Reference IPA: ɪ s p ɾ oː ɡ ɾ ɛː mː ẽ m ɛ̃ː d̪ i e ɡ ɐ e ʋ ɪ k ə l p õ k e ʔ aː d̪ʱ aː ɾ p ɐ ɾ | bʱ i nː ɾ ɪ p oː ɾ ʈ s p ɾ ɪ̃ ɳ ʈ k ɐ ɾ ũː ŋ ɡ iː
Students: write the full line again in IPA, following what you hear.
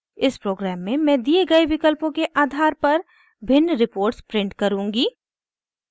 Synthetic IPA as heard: ɪ s p ɾ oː ɡ ɾ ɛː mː ẽ m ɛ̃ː d̪ i e ɡ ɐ e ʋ ɪ k ə l p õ k e ʔ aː d̪ʱ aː ɾ p ɐ ɾ | bʱ ɪ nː ɾ ɪ p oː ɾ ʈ s p ɾ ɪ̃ ɳ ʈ k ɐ ɾ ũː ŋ ɡ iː